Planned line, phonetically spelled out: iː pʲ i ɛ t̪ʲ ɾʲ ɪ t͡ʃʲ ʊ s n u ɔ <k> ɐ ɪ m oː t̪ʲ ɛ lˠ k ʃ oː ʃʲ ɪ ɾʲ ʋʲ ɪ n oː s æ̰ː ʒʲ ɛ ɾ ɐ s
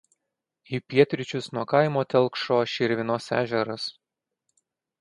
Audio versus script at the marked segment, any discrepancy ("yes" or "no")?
no